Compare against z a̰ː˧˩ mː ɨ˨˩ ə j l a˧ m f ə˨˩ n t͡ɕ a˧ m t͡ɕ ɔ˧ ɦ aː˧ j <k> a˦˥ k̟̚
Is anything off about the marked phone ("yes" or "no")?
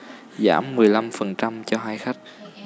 yes